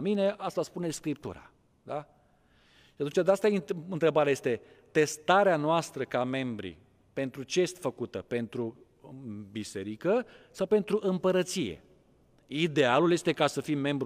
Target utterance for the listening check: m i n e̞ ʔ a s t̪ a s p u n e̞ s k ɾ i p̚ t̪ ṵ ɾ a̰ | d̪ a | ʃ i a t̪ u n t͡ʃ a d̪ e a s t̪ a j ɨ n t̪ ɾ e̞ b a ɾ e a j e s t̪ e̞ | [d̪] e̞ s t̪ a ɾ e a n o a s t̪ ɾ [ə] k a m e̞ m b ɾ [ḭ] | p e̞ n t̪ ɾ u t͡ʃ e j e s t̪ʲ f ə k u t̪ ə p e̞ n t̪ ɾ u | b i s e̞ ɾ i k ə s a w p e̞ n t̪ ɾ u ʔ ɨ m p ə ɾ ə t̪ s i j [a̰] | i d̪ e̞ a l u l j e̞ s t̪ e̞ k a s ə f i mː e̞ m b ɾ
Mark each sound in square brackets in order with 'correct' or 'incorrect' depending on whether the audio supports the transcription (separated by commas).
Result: incorrect, correct, correct, incorrect